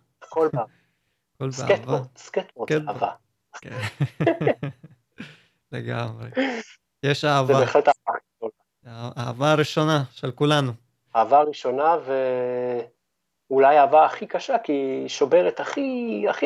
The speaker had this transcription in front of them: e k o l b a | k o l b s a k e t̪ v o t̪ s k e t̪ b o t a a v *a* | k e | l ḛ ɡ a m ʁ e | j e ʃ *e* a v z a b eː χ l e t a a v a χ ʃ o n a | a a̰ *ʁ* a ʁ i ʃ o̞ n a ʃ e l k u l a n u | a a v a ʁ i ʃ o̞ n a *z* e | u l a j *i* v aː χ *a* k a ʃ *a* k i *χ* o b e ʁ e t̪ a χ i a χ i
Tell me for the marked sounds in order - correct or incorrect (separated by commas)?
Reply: correct, incorrect, incorrect, incorrect, incorrect, incorrect, correct, incorrect